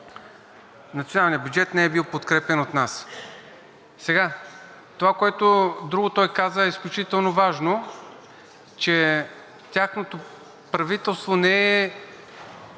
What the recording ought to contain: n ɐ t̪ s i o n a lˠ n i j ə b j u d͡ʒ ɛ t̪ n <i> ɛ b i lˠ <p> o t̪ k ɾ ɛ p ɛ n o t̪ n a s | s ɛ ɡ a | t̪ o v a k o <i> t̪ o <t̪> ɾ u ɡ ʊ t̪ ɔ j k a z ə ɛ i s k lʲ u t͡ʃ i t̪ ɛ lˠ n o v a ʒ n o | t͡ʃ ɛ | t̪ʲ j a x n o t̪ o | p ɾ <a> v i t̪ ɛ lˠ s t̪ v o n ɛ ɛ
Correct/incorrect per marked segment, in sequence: incorrect: ɛ, correct, incorrect: ɛ, incorrect: d̪, incorrect: ɐ

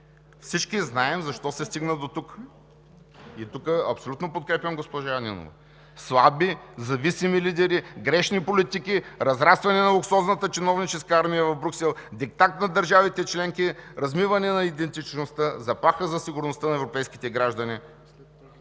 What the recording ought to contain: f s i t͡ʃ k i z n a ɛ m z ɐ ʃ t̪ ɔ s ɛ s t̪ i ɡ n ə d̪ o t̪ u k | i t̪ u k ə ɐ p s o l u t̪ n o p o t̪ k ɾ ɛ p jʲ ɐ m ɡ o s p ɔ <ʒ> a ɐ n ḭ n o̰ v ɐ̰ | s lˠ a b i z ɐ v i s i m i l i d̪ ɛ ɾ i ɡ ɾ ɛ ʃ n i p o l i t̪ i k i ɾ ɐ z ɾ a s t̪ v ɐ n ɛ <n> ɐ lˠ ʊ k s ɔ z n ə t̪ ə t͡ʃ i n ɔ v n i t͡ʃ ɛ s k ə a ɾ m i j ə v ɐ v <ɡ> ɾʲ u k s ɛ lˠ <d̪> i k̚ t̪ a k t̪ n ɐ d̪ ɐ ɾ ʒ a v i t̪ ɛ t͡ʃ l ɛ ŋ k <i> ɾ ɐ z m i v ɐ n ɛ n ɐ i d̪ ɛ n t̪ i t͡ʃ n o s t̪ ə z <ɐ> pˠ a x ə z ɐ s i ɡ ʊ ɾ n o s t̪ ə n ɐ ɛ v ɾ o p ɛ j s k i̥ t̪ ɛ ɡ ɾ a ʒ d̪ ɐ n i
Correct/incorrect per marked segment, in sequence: correct, correct, incorrect: b, correct, correct, correct

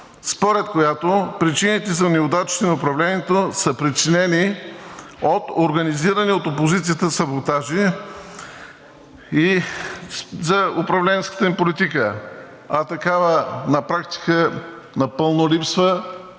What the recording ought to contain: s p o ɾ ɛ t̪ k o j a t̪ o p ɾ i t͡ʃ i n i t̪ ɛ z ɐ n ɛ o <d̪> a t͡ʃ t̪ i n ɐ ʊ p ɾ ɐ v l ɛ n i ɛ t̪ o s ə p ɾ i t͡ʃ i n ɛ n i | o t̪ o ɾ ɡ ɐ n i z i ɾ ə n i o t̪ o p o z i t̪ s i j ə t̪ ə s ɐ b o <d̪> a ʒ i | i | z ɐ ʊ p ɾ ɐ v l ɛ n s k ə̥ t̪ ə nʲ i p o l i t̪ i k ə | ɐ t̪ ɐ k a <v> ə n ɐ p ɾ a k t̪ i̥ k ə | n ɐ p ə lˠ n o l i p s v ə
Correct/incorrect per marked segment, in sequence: correct, incorrect: t̪, correct

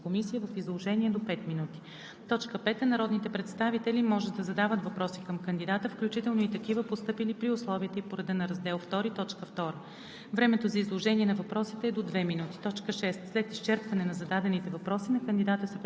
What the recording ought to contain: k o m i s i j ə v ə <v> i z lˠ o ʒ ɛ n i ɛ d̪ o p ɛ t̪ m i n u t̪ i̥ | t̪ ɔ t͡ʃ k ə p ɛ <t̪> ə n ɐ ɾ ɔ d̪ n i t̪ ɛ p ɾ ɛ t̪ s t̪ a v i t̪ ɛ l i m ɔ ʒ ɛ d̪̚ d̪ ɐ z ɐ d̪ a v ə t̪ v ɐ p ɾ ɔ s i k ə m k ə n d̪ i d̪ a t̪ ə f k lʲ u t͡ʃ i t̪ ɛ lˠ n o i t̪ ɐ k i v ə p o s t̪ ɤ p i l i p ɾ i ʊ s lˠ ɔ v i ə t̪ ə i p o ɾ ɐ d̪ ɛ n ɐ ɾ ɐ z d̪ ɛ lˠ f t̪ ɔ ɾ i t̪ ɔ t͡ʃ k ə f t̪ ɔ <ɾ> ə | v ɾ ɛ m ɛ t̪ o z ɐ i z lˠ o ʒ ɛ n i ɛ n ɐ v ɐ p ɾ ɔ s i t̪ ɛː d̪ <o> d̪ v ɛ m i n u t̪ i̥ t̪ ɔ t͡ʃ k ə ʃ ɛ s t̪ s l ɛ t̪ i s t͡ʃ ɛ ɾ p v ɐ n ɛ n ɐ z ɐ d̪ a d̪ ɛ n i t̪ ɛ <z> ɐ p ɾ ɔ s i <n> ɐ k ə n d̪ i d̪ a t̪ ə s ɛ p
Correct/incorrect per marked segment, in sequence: incorrect: f, correct, correct, correct, incorrect: v, correct

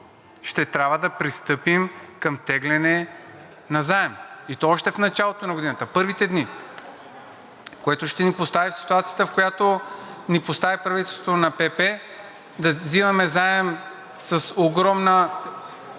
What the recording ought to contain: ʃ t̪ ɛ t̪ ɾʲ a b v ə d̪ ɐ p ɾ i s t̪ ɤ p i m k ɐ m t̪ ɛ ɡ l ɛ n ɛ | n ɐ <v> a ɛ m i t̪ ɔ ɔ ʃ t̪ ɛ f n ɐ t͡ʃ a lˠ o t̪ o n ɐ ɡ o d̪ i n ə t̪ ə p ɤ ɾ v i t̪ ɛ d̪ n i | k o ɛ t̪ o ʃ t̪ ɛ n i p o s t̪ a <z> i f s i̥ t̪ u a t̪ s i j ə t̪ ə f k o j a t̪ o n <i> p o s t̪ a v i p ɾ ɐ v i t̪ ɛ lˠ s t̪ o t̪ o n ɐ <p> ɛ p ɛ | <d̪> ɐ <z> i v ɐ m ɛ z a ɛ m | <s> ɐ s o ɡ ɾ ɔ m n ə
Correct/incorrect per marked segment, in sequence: incorrect: z, incorrect: v, correct, correct, correct, correct, correct

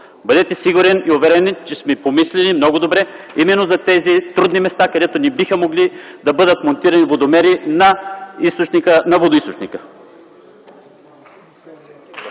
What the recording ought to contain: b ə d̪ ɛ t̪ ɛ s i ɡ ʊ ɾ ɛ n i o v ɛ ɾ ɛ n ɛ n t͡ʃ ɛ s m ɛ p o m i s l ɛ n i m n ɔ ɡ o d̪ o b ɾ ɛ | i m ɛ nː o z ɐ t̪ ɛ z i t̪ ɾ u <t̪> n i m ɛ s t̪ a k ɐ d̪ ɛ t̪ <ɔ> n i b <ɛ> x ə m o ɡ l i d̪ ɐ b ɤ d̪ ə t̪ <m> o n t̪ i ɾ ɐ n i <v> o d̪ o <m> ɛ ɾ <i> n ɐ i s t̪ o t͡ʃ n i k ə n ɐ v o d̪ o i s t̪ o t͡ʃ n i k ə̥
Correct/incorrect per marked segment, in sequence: incorrect: d̪, incorrect: o, incorrect: i, correct, correct, correct, correct

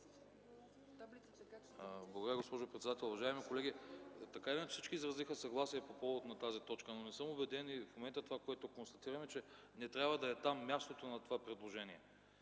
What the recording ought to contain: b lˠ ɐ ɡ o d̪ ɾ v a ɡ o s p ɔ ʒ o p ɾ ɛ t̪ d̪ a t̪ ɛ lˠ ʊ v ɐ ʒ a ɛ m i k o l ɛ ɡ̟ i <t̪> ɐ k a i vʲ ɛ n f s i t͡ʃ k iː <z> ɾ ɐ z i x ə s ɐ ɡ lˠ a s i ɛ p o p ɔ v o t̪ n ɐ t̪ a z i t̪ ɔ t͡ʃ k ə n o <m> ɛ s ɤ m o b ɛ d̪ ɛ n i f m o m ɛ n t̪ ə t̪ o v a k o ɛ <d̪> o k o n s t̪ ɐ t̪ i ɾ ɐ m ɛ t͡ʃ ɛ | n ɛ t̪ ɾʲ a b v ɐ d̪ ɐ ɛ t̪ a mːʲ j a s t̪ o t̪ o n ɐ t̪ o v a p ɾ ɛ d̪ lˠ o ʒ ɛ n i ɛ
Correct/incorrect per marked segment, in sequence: correct, correct, incorrect: n, incorrect: t̪

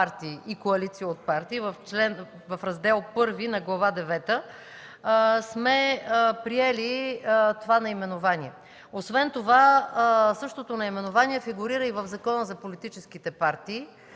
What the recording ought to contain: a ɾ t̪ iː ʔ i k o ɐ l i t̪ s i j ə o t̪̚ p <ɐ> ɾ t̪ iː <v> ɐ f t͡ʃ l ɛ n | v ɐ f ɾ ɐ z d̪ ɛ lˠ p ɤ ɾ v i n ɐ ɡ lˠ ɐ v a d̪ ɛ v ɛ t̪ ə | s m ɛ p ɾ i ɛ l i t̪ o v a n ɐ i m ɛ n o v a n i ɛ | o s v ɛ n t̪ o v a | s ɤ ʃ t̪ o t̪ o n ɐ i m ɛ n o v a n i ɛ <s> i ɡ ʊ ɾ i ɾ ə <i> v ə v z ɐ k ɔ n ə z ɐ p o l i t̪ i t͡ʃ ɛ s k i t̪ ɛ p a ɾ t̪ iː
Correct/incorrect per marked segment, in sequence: incorrect: a, correct, incorrect: f, correct

